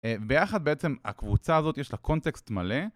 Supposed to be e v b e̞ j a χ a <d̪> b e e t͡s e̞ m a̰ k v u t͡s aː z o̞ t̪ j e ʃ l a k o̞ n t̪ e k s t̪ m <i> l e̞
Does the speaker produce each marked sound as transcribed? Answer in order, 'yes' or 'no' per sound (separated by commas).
yes, no